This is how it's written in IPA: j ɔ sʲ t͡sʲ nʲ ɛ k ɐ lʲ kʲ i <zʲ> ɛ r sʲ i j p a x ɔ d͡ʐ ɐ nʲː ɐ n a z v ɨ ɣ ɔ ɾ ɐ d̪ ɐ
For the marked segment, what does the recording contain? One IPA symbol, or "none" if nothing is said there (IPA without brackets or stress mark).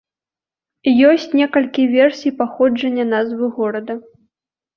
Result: vʲ